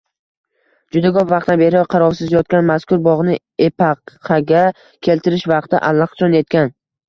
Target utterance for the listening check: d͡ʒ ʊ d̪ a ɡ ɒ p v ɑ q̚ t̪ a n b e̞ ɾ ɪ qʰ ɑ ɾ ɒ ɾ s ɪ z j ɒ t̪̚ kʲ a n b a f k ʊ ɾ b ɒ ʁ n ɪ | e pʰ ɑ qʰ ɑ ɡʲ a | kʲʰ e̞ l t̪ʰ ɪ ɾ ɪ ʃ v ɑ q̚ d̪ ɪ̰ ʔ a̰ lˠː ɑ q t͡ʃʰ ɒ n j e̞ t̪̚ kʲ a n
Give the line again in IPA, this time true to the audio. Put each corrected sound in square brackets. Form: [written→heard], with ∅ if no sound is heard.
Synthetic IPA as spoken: d͡ʒ ʊ d̪ a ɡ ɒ p v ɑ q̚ t̪ a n b e̞ ɾ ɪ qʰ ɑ ɾ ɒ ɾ s ɪ z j ɒ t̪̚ kʲ a n [b→m] a [f→s] k ʊ ɾ b ɒ ʁ n ɪ | e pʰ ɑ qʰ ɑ ɡʲ a | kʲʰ e̞ l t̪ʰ ɪ ɾ ɪ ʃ v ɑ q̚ [d̪→t̪] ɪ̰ ʔ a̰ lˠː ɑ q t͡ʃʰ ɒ n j e̞ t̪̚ kʲ a n

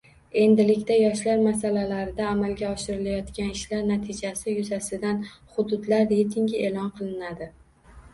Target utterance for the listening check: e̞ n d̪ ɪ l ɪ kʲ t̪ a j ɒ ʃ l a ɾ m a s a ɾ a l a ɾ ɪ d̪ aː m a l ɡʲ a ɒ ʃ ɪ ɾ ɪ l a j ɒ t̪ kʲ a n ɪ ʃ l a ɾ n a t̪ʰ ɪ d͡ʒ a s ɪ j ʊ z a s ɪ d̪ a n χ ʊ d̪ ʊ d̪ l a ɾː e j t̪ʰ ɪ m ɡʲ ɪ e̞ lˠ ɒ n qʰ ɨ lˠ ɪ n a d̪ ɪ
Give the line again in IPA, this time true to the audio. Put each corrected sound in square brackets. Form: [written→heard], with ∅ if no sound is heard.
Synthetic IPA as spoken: e̞ n d̪ ɪ l ɪ kʲ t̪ a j ɒ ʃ l a ɾ m a s a [ɾ→l] a l a ɾ ɪ d̪ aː m a l ɡʲ a ɒ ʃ ɪ ɾ ɪ l a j ɒ t̪ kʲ a n ɪ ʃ l a ɾ n a t̪ʰ ɪ d͡ʒ a s ɪ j ʊ z a s ɪ d̪ a n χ ʊ d̪ ʊ d̪ l a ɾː e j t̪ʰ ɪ [m→ŋ] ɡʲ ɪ e̞ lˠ ɒ n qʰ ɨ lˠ ɪ n a d̪ ɪ

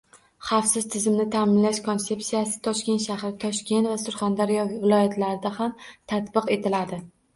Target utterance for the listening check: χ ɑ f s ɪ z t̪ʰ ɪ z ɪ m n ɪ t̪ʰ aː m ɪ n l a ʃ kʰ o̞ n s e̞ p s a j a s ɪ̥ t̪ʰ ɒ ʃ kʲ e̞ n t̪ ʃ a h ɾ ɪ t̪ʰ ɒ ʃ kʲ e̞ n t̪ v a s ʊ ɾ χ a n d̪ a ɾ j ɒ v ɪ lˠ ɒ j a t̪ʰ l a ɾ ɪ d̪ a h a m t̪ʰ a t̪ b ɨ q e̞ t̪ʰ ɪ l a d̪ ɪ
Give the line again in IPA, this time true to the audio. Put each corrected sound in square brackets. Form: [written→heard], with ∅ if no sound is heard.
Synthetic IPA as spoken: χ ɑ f s ɪ z t̪ʰ ɪ z ɪ m n ɪ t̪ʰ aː m ɪ n l a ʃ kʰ o̞ n s e̞ p s [a→i] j a s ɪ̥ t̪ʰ ɒ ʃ kʲ e̞ n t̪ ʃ a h ɾ ɪ t̪ʰ ɒ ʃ kʲ e̞ n t̪ v a s ʊ ɾ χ a n d̪ a ɾ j ɒ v ɪ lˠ ɒ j a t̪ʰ l a ɾ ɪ d̪ a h a m t̪ʰ a t̪ b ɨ q e̞ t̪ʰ ɪ l a d̪ ɪ

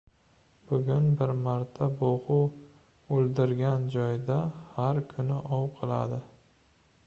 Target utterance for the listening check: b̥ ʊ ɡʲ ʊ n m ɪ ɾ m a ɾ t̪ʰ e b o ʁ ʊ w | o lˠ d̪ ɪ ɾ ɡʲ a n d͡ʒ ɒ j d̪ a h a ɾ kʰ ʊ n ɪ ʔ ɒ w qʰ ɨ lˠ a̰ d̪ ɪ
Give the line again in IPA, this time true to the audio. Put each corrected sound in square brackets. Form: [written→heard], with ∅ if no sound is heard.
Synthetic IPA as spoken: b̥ ʊ ɡʲ ʊ n [m→b] ɪ ɾ m a ɾ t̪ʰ [e→a] b o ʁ ʊ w | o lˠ d̪ ɪ ɾ ɡʲ a n d͡ʒ ɒ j d̪ a h a ɾ kʰ ʊ n ɪ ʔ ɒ w qʰ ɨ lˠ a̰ d̪ ɪ

